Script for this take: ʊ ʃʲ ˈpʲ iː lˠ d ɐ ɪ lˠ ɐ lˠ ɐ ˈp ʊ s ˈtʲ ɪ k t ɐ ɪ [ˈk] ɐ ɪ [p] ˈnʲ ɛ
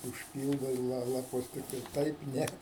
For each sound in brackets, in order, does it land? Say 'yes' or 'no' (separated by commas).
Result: no, yes